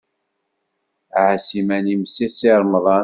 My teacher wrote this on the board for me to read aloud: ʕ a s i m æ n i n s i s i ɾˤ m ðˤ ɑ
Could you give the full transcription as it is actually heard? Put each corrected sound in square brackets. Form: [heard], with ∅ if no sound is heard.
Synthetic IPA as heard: ʕ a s i m æ n i [m] s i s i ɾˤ m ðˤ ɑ